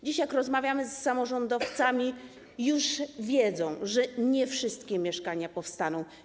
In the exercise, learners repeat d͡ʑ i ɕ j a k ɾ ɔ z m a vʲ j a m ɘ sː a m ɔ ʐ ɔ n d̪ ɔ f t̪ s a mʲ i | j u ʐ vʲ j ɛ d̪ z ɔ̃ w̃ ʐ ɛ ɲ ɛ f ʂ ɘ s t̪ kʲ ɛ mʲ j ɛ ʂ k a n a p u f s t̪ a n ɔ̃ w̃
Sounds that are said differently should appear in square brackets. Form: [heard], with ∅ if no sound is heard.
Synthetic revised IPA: d͡ʑ i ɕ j a k ɾ ɔ z m a vʲ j a m ɘ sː a m ɔ ʐ ɔ n d̪ ɔ f t̪ s a mʲ i | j u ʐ vʲ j ɛ d̪ z ɔ̃ w̃ ʐ ɛ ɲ ɛ f ʂ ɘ s t̪ kʲ ɛ mʲ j ɛ ʂ k a [ɲ] a p [ɔ] f s t̪ a n ɔ̃ w̃